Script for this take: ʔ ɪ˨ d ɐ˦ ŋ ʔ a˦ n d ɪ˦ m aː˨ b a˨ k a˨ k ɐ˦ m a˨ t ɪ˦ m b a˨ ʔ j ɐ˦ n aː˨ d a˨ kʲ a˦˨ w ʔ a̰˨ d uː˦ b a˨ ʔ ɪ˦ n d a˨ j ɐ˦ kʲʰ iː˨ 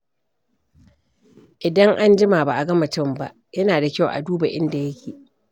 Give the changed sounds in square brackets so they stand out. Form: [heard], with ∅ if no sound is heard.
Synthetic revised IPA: ʔ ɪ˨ d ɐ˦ ŋ ʔ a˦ n [d͡ʒ] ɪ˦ m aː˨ b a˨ [ʔ] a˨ [ɡ] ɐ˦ m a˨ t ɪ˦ m b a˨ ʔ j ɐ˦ n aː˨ d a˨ kʲ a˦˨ w ʔ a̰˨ d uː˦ b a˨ ʔ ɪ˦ n d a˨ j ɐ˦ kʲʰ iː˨